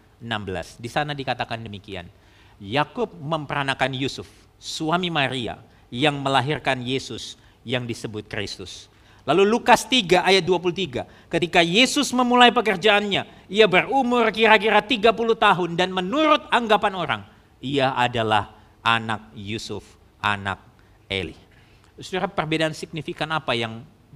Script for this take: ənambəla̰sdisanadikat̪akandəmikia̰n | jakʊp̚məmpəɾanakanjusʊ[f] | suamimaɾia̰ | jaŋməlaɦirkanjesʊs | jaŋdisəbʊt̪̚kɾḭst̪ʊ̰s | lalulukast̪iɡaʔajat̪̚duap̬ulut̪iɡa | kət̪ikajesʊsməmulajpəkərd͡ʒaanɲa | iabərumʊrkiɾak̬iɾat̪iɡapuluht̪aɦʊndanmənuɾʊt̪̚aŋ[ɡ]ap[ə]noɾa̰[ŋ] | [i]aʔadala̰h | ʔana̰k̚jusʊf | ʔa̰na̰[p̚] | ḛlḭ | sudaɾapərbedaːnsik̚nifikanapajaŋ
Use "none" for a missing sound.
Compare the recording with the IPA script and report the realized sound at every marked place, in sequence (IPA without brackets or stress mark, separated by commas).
f, ɡ, a, ŋ, i, k̚